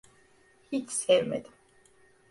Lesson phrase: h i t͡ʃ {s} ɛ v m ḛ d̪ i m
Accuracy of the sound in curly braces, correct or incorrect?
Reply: correct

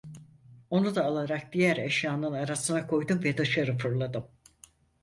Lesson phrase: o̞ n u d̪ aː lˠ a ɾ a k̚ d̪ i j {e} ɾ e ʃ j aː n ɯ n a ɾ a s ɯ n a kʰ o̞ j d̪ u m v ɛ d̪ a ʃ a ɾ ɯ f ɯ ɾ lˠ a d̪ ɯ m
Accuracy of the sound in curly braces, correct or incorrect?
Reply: incorrect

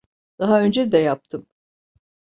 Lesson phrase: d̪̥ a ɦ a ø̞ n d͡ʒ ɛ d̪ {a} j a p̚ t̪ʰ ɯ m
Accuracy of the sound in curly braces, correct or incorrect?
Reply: incorrect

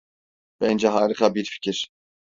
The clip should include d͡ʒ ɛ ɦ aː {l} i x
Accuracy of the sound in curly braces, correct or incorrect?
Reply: incorrect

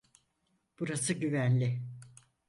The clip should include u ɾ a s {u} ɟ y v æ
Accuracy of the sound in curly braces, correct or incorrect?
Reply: incorrect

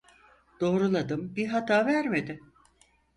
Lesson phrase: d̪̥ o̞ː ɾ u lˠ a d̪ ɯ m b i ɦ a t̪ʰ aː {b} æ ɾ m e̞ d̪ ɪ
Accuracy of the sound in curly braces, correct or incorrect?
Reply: incorrect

